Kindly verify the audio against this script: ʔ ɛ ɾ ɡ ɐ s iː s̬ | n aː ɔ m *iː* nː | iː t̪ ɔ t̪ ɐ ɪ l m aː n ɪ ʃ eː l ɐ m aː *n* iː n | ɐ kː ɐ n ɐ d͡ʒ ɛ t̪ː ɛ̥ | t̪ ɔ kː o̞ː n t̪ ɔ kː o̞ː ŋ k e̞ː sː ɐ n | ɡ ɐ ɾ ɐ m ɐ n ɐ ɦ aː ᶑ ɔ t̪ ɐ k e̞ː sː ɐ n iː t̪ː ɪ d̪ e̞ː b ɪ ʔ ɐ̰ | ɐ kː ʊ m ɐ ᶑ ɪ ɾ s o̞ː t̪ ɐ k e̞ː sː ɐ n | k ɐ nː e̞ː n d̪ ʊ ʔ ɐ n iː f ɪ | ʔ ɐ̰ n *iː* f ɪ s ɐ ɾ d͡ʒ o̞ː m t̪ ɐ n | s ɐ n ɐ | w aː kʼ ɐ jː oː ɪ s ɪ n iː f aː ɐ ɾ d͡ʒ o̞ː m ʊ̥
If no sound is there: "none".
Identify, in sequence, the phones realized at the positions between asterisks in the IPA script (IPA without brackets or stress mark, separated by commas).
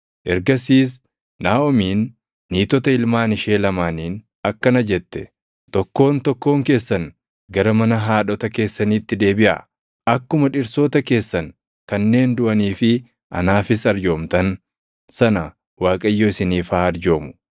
iː, n, aː